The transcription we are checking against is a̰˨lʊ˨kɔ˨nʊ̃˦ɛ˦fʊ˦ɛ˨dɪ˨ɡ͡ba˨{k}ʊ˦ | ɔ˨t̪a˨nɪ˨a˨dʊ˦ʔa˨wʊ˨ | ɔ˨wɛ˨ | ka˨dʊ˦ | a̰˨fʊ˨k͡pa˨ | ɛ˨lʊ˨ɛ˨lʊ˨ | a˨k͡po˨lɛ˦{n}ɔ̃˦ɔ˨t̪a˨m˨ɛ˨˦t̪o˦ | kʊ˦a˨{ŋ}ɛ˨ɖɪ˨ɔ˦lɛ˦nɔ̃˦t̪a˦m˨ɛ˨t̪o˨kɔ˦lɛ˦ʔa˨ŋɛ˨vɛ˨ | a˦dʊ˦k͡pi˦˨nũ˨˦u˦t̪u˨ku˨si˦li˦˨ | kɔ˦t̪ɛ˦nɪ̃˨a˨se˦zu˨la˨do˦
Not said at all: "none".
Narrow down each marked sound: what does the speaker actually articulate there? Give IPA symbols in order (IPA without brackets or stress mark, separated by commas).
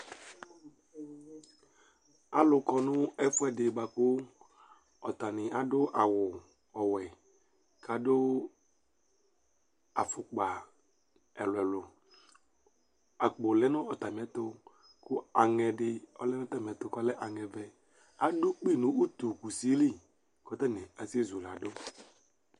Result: k, n, ŋ